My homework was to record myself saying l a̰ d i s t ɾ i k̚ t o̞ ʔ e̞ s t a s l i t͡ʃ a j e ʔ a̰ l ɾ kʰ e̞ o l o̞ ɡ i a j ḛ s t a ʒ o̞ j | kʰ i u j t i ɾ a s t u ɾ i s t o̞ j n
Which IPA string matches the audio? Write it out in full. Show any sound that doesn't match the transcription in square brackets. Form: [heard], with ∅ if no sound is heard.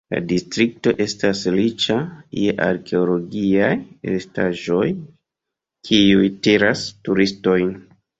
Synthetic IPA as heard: l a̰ d i s t ɾ i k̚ t o̞ ʔ e̞ s t a s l i t͡ʃ a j e ʔ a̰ [∅] ɾ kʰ e̞ o l o̞ ɡ i a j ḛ s t a ʒ o̞ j | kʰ i u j t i ɾ a s t u ɾ i s t o̞ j n